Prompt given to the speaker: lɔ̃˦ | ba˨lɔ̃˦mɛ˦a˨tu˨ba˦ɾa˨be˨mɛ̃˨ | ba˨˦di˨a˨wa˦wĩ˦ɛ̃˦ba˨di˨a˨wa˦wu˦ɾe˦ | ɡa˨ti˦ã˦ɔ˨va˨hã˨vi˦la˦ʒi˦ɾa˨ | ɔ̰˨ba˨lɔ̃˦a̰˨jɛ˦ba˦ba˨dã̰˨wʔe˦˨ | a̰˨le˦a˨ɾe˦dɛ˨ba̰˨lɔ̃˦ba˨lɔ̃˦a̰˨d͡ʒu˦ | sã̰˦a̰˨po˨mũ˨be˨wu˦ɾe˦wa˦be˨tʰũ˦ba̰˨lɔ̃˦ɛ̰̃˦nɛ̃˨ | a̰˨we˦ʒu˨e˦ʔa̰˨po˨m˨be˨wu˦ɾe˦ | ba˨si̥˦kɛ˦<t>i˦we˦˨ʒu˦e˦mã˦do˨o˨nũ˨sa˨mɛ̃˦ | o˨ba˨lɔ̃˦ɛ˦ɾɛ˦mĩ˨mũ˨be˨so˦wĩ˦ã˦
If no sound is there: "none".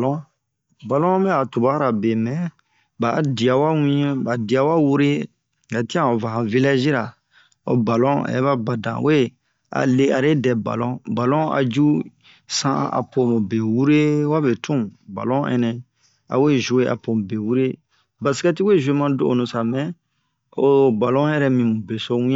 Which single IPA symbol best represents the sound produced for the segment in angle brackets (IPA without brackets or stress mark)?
t